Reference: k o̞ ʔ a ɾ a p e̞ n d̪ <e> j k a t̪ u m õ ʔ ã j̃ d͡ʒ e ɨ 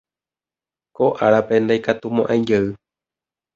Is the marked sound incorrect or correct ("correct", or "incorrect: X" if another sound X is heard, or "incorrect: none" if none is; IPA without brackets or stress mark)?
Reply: incorrect: a